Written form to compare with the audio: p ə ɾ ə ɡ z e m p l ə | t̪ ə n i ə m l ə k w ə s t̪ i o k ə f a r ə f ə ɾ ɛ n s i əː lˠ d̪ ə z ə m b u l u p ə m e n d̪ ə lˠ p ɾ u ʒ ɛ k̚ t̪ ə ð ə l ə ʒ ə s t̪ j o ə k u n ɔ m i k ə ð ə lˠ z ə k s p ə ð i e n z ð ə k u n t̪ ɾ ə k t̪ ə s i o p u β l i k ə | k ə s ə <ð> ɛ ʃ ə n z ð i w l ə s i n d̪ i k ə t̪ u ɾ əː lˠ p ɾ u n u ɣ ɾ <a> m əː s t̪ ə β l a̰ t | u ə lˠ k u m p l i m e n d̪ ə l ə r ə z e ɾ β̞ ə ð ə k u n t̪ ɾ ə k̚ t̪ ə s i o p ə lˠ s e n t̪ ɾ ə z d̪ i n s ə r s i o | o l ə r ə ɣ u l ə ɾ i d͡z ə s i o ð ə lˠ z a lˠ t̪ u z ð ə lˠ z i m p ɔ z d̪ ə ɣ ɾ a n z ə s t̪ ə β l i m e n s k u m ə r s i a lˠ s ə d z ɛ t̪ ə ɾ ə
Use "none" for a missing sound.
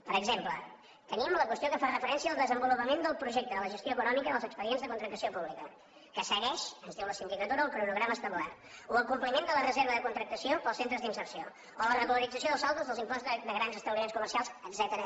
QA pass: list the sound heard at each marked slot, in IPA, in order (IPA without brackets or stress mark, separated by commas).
ɣ, a